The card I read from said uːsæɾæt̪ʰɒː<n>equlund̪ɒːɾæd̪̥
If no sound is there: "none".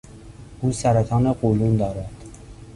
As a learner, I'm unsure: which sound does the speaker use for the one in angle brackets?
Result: n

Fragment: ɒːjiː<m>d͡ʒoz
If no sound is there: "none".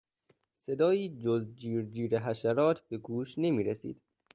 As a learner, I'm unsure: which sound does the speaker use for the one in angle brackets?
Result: none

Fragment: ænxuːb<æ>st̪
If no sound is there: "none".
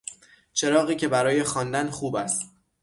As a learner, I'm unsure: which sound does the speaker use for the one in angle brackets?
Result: æ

